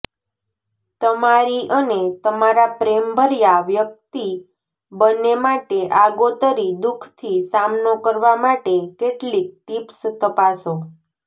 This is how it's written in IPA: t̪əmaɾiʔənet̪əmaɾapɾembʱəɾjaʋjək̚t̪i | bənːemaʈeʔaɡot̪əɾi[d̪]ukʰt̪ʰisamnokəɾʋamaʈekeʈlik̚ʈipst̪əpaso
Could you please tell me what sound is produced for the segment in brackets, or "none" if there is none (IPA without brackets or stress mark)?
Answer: d̪